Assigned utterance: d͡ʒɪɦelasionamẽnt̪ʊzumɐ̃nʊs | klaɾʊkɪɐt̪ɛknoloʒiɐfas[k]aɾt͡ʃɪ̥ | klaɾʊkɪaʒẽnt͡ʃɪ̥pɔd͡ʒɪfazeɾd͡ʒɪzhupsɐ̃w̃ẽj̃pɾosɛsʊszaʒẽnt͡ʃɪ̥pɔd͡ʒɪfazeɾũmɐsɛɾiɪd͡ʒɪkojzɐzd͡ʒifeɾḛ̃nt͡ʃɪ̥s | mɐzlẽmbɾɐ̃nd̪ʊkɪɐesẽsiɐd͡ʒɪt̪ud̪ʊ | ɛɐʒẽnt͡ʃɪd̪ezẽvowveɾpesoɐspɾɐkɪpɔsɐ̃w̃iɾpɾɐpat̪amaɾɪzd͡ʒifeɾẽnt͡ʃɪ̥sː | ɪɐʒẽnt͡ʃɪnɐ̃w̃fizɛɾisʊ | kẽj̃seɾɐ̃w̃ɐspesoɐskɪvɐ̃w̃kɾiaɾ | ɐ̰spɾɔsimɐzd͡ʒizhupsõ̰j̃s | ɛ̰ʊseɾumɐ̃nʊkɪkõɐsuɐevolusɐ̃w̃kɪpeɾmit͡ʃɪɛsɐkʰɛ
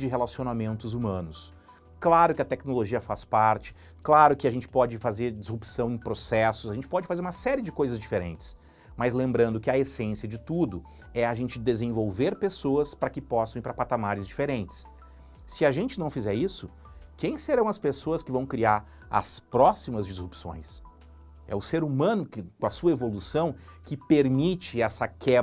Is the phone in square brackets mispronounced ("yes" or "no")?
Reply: yes